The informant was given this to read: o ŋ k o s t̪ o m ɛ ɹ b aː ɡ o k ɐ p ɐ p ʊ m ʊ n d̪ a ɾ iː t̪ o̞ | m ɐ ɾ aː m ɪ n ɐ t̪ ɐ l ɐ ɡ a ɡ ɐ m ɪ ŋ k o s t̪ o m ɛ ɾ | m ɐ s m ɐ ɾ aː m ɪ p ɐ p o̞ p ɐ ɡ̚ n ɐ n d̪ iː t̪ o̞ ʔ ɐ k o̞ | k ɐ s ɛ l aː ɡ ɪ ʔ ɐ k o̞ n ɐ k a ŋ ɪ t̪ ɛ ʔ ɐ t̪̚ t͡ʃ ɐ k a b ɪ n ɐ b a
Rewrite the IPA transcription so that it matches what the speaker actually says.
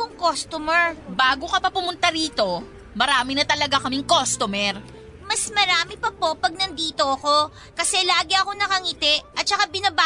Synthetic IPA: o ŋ k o s t̪ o m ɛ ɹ b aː ɡ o k ɐ p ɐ p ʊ m ʊ n t̪ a ɾ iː t̪ o̞ | m ɐ ɾ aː m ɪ n ɐ t̪ ɐ l ɐ ɡ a k ɐ m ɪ ŋ k o s t̪ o m ɛ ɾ | m ɐ s m ɐ ɾ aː m ɪ p ɐ p o̞ p ɐ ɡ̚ n ɐ n d̪ iː t̪ o̞ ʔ ɐ k o̞ | k ɐ s ɛ l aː ɡ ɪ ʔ ɐ k o̞ n ɐ k ɐ ŋ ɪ t̪ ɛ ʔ ɐ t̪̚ t͡ʃ ɐ k a b ɪ n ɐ b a